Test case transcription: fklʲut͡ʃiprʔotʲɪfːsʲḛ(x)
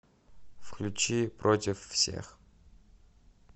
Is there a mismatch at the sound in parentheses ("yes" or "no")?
no